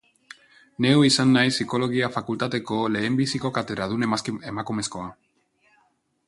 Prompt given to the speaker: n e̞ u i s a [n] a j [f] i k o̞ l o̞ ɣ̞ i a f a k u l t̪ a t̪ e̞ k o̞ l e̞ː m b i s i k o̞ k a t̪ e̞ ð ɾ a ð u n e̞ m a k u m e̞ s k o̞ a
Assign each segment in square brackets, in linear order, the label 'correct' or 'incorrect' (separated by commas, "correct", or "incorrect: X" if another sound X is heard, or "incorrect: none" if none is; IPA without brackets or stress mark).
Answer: incorrect: nː, incorrect: s